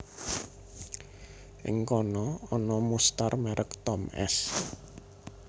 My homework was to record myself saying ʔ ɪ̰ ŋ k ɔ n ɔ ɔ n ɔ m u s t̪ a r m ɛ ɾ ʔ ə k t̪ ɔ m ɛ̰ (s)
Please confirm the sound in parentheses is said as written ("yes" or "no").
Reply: yes